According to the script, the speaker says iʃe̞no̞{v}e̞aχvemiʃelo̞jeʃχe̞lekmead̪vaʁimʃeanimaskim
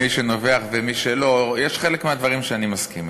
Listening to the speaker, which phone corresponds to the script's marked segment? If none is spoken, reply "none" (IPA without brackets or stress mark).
v